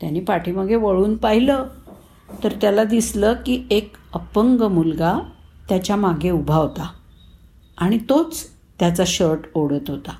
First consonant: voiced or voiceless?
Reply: voiceless